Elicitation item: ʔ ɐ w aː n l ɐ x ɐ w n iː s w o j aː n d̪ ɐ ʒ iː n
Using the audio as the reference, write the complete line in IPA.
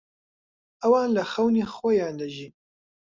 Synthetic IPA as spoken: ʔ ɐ w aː n l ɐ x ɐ w n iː x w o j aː n d̪ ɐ ʒ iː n